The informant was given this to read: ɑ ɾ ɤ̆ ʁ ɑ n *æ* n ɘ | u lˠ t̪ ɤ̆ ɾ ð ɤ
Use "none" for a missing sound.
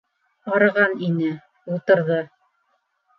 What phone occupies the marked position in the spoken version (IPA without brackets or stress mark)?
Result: i